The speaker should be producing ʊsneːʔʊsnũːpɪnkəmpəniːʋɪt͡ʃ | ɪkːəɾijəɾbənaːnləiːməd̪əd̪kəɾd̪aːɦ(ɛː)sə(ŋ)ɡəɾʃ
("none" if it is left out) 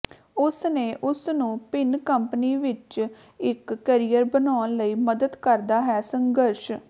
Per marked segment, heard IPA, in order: ɛː, ŋ

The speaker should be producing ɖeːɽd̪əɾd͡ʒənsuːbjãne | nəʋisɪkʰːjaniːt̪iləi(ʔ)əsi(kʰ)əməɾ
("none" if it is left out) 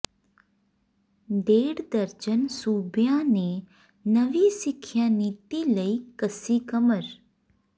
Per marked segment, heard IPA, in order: k, k

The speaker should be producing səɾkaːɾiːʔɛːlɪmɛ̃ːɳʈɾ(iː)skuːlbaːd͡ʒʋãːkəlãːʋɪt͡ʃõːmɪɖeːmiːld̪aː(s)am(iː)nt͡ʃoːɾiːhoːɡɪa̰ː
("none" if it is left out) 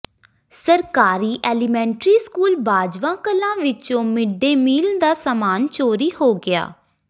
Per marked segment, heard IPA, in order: iː, s, aː

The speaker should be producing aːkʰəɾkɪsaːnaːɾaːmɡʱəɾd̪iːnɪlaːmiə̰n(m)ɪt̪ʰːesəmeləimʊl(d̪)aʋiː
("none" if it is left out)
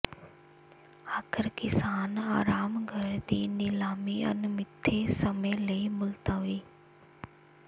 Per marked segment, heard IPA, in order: m, t̪

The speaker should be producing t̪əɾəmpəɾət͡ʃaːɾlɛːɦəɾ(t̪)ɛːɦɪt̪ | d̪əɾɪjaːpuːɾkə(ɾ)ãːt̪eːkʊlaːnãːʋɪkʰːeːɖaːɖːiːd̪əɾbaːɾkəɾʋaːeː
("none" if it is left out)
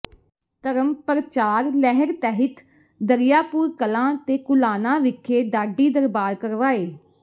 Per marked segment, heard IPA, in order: t̪, l

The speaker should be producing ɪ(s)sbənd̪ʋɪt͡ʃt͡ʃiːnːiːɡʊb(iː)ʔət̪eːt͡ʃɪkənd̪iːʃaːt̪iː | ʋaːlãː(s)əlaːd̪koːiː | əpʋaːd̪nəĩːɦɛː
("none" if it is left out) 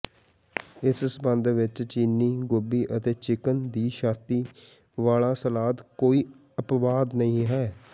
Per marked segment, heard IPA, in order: s, iː, s

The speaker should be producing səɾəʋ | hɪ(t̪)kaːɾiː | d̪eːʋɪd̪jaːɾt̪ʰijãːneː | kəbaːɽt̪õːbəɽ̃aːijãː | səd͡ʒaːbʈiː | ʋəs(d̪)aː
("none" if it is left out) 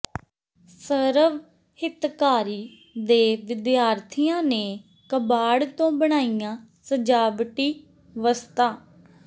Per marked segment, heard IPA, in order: t̪, t̪

